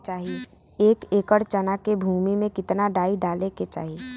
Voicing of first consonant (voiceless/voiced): voiceless